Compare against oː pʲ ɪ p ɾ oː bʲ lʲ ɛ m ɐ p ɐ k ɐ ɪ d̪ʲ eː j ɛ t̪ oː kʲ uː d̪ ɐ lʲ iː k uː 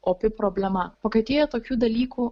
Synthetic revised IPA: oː pʲ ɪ p ɾ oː bʲ lʲ ɛ m ɐ p ɐ k ɐ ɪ t̪ʲ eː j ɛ t̪ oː kʲ uː d̪ ɐ lʲ iː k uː